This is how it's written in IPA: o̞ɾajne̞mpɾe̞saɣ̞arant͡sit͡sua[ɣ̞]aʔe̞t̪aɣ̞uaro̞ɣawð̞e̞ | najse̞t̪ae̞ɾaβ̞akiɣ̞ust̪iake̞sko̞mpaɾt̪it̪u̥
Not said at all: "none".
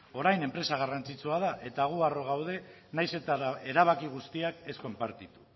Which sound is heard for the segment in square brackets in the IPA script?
ð̞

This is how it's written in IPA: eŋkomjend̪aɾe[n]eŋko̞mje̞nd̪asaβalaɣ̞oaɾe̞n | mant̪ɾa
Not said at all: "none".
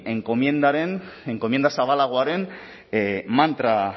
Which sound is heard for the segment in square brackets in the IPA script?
n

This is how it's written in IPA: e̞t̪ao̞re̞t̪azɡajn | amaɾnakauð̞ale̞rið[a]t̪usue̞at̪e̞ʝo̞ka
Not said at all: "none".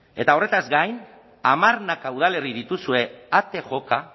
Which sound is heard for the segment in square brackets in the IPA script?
i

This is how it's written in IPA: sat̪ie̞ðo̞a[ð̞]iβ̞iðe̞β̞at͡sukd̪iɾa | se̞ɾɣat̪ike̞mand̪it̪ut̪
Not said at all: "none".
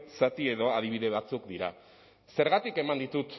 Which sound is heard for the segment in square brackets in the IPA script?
ð̞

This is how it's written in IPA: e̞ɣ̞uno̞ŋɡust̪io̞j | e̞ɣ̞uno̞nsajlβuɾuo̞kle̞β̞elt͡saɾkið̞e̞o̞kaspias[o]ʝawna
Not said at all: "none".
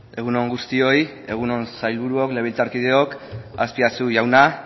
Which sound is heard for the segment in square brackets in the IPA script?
u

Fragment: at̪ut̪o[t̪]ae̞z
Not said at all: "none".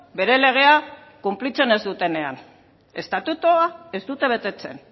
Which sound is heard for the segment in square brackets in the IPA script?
none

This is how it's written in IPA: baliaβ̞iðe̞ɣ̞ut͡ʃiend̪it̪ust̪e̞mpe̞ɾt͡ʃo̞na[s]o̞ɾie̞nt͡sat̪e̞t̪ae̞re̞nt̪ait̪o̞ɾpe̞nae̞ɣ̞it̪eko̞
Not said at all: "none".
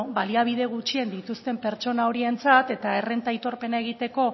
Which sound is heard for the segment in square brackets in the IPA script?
none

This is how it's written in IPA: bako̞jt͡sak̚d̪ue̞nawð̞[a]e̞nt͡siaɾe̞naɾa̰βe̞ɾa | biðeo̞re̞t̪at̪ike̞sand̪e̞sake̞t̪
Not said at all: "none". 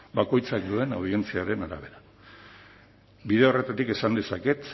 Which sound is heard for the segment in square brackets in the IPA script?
i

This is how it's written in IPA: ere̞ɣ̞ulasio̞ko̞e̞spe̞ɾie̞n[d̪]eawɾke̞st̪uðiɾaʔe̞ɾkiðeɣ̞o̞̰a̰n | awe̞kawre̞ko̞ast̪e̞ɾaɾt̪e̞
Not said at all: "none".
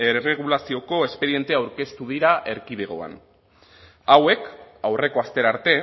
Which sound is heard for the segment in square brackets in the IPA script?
t̪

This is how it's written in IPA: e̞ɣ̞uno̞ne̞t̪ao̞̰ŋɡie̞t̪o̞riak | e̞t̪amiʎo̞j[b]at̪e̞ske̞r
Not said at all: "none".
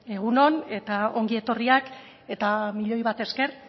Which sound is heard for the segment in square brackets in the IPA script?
β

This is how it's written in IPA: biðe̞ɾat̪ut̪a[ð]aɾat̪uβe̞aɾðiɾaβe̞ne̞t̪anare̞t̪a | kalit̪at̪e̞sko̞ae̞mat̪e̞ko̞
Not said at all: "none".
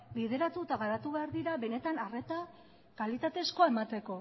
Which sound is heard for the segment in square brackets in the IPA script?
ɣ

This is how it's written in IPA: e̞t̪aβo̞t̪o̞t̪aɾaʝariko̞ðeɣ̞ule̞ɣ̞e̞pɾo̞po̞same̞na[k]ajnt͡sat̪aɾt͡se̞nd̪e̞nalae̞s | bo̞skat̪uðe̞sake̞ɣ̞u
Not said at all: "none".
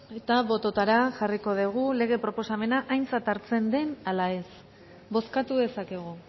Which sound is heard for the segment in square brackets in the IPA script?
ʔ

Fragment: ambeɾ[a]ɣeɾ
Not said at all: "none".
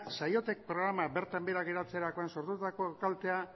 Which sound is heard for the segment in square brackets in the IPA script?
a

